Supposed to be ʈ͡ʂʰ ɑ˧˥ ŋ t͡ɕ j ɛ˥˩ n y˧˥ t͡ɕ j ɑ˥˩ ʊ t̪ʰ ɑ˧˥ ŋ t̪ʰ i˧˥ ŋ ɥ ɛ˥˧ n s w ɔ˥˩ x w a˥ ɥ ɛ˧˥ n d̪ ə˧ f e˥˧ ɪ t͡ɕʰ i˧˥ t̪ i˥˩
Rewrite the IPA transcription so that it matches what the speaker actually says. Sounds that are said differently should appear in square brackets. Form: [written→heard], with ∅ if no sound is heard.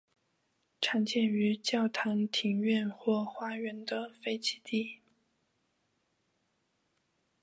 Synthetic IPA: ʈ͡ʂʰ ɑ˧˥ ŋ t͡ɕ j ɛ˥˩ n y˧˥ t͡ɕ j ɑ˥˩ ʊ t̪ʰ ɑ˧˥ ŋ t̪ʰ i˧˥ ŋ ɥ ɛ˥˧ n [s→x] w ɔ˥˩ x w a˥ ɥ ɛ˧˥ n d̪ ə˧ f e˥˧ ɪ t͡ɕʰ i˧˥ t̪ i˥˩